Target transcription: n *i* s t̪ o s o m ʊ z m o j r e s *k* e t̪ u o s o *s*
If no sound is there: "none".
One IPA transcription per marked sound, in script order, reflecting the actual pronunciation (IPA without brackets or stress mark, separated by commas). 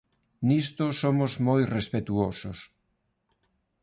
i, p, s